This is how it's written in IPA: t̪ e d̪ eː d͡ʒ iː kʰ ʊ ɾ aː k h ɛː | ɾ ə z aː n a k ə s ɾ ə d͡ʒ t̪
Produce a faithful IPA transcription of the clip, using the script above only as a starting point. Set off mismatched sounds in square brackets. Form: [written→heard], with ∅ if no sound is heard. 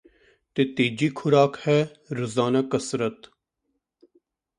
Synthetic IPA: t̪ e [d̪→t̪] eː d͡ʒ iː kʰ ʊ ɾ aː k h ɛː | ɾ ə z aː n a k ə s ɾ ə [d͡ʒ→∅] t̪